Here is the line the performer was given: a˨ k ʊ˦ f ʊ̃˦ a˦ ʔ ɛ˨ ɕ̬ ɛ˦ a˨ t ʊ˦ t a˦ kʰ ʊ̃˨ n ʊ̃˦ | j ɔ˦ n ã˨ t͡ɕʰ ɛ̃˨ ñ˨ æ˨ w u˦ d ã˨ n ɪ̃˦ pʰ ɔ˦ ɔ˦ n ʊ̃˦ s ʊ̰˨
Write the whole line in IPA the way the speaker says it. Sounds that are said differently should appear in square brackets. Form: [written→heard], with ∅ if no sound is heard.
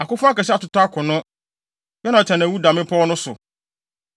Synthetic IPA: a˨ k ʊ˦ f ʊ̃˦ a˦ [ʔ→k] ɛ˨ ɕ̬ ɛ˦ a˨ t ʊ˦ t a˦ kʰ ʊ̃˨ n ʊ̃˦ | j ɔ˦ n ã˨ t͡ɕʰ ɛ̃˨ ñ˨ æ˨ w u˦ d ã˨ [n→m] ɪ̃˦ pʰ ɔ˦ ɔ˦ n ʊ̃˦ s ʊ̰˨